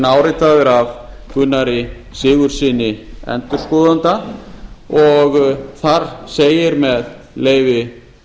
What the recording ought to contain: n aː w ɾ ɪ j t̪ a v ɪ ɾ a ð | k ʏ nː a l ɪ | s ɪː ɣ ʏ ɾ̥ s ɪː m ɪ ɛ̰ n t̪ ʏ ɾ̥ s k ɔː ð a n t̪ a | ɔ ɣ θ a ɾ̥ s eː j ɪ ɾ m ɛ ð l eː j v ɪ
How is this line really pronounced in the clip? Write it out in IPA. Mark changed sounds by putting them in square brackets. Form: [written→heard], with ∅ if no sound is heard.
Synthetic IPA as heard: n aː w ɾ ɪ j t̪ a [v→ð] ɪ ɾ a [ð→v] | k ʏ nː a [l→ɾ] ɪ | s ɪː ɣ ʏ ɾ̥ s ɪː [m→n] ɪ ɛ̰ n t̪ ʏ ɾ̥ s k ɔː ð a n t̪ a | ɔ ɣ θ a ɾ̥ s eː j ɪ ɾ m ɛ ð l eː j v ɪ